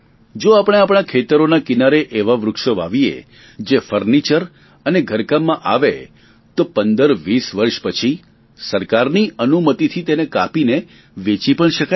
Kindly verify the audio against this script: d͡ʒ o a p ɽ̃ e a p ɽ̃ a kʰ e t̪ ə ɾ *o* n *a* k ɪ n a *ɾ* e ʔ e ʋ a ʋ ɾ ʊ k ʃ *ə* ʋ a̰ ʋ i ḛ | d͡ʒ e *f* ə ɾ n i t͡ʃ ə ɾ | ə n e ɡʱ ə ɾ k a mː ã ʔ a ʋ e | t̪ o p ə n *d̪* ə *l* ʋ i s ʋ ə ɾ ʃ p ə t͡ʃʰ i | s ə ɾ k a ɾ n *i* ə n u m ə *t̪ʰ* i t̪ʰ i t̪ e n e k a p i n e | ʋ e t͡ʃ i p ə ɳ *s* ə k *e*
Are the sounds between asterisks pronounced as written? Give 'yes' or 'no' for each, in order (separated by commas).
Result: yes, yes, yes, yes, yes, yes, no, yes, no, no, no